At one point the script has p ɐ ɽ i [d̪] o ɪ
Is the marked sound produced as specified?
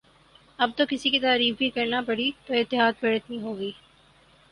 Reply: no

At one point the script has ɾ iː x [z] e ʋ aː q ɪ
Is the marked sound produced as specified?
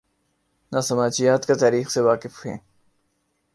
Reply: no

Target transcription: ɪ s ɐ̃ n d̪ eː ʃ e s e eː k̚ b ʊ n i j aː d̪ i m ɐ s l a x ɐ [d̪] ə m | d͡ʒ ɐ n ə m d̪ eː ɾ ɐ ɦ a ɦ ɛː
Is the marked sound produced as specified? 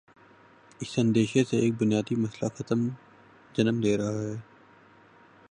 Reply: no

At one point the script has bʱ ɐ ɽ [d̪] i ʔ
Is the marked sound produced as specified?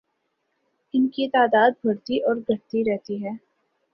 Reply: no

